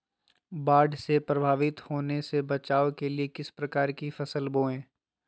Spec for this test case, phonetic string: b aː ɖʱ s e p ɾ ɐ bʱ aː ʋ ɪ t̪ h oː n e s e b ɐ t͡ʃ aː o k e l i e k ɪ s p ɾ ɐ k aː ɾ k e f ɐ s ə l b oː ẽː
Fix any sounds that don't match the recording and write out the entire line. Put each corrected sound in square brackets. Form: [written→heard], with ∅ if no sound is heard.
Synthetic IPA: b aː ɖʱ s e p ɾ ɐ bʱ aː ʋ ɪ t̪ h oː n e s e b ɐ t͡ʃ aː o k e l i e k ɪ s p ɾ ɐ k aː ɾ k [e→i] f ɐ s ə l b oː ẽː